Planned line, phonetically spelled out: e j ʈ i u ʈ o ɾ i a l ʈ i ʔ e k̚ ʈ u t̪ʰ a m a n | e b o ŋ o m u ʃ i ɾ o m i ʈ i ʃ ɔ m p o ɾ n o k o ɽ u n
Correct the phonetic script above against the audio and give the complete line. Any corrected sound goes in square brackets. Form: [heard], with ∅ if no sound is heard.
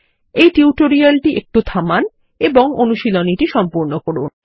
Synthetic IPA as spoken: e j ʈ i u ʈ o ɾ i a l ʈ i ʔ e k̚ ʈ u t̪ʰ a m a n | e b o ŋ o [n] u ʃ i [l] o [n] i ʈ i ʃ ɔ m p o ɾ n o k o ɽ u n